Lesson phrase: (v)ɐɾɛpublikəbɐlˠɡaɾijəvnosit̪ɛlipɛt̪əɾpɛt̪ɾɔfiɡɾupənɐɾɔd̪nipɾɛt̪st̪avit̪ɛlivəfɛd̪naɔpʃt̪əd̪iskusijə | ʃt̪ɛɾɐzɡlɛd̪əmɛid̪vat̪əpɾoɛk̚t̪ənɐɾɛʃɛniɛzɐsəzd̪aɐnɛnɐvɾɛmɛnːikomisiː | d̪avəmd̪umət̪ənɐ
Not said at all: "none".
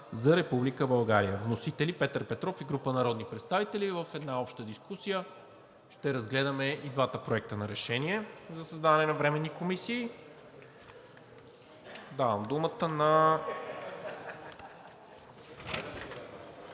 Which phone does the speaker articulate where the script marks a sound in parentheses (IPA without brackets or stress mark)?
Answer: z